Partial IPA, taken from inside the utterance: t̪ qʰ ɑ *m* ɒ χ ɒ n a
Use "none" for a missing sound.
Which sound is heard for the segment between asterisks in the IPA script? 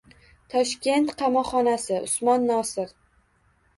m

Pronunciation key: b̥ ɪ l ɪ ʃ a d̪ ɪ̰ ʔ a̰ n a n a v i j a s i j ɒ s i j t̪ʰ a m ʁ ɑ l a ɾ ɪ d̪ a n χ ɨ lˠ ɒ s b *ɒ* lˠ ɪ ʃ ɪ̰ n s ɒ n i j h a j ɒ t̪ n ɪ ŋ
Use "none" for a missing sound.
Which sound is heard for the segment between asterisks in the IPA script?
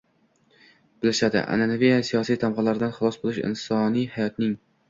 o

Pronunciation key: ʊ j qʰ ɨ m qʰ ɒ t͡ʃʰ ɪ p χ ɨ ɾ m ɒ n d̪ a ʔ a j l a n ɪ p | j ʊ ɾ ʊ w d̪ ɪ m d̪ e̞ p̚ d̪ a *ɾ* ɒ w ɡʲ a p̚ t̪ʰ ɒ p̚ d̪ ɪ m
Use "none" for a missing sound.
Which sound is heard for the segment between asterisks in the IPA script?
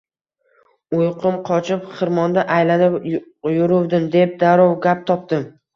ɾ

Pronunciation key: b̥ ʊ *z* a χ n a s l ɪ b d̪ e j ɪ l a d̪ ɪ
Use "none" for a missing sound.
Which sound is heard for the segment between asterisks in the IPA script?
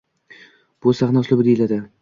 s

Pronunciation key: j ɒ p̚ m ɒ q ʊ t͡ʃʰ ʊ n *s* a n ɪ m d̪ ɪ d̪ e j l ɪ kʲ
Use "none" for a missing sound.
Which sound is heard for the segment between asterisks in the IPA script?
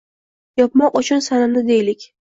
s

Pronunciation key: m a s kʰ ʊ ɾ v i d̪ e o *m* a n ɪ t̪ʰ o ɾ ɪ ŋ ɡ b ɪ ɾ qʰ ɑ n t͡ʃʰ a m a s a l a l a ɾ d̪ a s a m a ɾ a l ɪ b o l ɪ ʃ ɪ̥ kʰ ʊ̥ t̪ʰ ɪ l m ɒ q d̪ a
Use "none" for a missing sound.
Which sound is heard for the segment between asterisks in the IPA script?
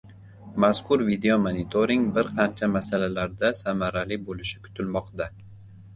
m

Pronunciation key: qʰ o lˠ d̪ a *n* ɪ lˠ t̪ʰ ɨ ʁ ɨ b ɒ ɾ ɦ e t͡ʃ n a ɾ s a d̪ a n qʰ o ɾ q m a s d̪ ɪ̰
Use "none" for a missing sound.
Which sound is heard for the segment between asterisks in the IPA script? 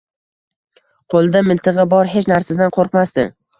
m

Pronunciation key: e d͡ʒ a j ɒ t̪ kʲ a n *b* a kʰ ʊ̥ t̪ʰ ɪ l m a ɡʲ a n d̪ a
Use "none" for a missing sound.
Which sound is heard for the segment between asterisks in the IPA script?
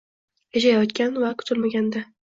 v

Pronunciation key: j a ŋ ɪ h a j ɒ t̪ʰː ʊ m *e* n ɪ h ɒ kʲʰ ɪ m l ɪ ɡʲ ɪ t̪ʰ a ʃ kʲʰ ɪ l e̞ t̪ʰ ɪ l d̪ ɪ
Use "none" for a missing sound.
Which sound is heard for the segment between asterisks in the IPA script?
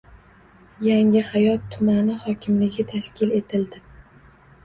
a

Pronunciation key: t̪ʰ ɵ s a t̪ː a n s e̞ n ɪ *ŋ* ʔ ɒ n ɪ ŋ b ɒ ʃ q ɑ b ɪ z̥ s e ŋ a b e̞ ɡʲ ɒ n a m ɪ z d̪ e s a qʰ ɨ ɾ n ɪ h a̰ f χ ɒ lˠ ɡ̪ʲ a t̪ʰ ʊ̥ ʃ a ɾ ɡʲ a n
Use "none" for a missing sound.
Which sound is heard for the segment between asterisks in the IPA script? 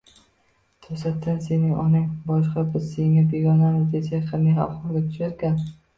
ŋ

